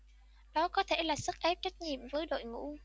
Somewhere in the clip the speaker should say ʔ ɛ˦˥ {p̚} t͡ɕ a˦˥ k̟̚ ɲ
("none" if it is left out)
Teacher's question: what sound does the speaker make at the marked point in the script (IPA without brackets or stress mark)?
p̚